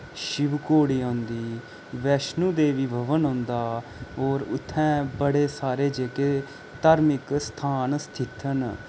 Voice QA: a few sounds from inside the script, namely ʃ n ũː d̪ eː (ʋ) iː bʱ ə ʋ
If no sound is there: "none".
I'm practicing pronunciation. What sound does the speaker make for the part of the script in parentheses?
ʋ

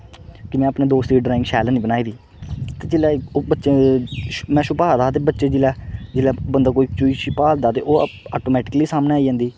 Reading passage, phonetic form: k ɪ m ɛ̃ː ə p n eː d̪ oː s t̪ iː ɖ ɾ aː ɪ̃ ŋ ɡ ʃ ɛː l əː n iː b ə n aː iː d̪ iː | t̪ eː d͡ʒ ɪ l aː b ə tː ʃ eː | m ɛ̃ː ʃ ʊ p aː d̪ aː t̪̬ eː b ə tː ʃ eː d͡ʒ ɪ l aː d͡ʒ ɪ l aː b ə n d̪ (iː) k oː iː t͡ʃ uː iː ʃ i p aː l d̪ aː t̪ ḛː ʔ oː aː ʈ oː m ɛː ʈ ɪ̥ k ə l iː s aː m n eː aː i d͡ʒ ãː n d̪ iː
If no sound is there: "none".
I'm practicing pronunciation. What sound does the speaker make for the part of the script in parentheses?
aː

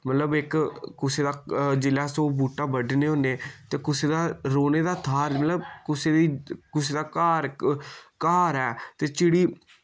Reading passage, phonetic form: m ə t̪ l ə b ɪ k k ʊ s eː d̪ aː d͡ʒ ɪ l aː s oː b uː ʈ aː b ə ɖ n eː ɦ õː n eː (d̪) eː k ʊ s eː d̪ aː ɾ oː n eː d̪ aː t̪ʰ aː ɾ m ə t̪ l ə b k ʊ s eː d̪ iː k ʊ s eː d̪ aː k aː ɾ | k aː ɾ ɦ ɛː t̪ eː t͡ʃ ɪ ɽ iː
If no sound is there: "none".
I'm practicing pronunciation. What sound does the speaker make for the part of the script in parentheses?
t̪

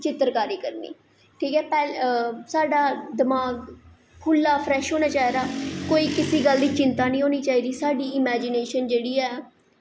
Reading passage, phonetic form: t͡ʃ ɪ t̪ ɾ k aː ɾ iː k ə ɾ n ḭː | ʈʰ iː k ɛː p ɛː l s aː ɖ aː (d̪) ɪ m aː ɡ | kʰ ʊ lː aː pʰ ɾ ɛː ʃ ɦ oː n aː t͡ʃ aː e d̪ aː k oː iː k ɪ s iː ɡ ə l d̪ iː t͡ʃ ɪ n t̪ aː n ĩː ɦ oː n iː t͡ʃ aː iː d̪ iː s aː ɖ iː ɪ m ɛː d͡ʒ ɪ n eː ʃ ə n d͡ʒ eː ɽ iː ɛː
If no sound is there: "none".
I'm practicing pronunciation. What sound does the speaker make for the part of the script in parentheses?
d̪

